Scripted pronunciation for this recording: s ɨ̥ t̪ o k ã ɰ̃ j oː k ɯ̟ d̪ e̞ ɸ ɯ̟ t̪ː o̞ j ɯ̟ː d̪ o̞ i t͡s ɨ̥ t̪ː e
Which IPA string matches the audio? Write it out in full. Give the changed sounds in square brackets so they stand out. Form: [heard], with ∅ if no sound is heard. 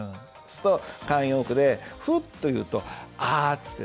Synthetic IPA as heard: s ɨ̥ t̪ o k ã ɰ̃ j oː k ɯ̟ d̪ e̞ ɸ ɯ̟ t̪ː o̞ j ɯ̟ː [t̪] o̞ [a] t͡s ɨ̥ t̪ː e